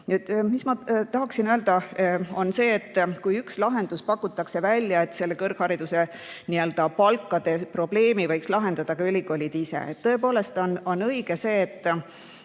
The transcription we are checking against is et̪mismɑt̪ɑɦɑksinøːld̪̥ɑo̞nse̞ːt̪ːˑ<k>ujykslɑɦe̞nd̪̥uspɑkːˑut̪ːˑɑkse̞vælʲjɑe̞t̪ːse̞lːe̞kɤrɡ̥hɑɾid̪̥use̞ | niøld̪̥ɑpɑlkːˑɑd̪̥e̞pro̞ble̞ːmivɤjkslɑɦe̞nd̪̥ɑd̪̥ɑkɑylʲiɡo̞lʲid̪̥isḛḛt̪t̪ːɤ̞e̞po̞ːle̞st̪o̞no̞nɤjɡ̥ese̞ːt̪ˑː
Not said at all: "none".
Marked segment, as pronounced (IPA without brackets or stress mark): k